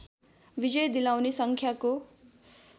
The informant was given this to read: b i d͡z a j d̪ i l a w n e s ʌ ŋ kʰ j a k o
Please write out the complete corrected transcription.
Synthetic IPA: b i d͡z ʌ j d̪ i l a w n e s ʌ ŋ kʰ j a k o